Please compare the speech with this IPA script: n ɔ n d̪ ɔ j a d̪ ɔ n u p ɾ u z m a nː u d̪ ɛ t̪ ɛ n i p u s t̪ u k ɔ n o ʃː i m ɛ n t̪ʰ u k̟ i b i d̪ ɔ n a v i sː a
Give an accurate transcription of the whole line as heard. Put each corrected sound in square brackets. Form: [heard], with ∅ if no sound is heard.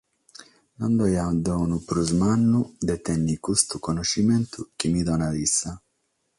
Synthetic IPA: n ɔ n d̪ ɔ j a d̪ ɔ n u p ɾ u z m a nː u d̪ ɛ t̪ ɛ [nː] i [k] u s t̪ u k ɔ n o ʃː i m ɛ n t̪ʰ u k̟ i [m] i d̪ ɔ n a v i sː a

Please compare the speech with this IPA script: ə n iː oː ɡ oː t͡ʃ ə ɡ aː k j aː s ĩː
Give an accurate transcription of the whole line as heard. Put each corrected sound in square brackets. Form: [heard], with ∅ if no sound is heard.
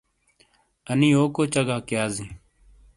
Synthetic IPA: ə n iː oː [k] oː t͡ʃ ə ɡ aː k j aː [z] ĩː

